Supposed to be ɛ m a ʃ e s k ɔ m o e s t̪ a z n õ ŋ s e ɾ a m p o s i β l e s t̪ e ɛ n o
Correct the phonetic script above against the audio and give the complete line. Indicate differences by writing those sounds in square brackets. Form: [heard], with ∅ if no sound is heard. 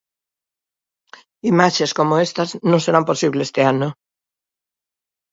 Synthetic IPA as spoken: [i] m a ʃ e s k [o] m o e s t̪ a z n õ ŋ s e ɾ a m p o s i β l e s t̪ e [a] n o

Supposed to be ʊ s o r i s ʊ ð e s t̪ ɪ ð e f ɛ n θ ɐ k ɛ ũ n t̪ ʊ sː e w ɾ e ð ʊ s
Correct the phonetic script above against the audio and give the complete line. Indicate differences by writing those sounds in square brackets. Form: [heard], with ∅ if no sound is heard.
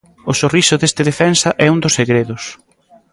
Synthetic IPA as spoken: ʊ s o r i s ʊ ð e s t̪ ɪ ð e f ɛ n [s] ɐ [ʔ] ɛ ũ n [d̪] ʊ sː e [ɣ] ɾ e ð ʊ s

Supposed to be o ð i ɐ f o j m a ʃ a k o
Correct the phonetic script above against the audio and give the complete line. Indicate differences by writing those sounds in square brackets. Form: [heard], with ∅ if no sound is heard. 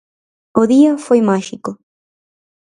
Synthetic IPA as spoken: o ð i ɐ f o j m a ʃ [i] k o

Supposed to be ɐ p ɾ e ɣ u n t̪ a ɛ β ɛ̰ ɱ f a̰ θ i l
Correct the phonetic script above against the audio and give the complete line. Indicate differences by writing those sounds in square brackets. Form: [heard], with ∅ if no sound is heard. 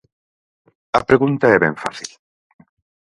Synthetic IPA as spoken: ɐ p ɾ e ɣ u n t̪ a ɛ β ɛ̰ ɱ f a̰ θ i l

